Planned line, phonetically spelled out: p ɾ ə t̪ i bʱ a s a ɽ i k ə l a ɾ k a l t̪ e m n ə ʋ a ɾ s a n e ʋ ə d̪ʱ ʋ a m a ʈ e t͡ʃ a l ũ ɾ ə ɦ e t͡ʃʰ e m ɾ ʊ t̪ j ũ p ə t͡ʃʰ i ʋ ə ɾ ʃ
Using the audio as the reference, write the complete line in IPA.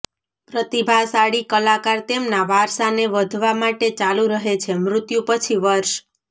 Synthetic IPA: p ɾ ə t̪ i bʱ a s a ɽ i k ə l a k a ɾ t̪ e m n a ʋ a ɾ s a n e ʋ ə d̪ʱ ʋ a m a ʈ e t͡ʃ a l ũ ɾ ə ɦ e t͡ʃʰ e m ɾ ʊ t̪ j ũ p ə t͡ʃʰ i ʋ ə ɾ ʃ